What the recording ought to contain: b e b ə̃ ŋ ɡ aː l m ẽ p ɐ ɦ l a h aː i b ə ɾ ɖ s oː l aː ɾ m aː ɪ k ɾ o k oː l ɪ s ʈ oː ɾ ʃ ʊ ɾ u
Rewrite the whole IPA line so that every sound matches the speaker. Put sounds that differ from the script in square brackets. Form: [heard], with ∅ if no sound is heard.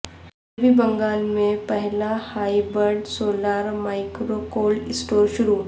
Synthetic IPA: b [i] b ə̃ ŋ ɡ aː l m ẽ p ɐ ɦ l a h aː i b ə ɾ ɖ s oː l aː ɾ m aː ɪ k ɾ o k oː l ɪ s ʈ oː ɾ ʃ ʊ ɾ u

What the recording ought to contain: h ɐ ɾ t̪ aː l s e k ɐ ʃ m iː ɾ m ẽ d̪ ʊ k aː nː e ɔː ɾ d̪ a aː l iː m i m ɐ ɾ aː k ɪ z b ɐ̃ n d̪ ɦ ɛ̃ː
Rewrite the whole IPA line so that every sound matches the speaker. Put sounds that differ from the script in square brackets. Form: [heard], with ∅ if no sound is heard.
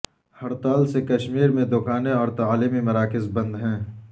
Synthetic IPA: h ɐ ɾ t̪ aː l s e k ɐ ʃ m iː ɾ m ẽ d̪ ʊ k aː [n] e ɔː ɾ [t̪] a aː l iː m i m ɐ ɾ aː k ɪ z b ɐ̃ n d̪ ɦ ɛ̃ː

